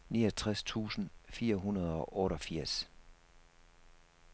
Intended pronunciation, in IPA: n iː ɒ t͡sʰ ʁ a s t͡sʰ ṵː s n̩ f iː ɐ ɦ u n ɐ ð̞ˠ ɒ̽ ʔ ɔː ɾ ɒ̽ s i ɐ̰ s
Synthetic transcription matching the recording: n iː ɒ t͡sʰ ʁ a s t͡sʰ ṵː s n̩ f iː ɐ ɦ u n ɐ ð̞ˠ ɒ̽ ʔ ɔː ɾ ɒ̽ f i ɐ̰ s